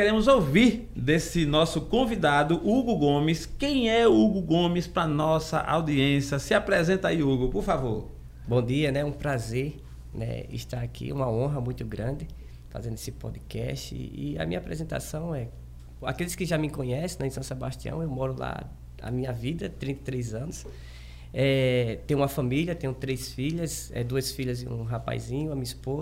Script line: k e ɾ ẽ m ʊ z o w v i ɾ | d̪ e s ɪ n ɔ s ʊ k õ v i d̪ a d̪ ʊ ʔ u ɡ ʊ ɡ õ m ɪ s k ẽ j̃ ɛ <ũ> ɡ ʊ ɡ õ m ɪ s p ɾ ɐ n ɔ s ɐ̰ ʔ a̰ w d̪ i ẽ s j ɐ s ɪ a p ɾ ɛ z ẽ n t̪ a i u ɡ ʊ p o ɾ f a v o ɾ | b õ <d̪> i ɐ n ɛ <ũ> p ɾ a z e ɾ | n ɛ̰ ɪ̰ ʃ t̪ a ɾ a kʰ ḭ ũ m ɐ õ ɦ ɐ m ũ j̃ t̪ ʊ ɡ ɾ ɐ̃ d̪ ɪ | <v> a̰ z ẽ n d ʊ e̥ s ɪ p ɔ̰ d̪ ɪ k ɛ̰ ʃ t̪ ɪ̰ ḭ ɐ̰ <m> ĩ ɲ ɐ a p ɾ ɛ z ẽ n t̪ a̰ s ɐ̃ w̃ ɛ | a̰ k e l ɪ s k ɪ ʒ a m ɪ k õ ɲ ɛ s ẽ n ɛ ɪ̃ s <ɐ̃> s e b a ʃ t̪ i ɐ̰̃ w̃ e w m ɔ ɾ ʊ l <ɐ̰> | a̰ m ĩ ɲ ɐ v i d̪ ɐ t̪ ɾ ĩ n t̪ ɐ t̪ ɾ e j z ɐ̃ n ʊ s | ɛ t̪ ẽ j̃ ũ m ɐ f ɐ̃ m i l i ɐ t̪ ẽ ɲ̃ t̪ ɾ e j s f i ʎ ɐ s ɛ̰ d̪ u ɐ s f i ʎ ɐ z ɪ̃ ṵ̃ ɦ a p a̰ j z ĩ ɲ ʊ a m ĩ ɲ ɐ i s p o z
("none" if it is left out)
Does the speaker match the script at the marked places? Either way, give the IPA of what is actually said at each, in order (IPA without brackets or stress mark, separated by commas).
u, d̪, ũ, f, m, ɐ̃, a̰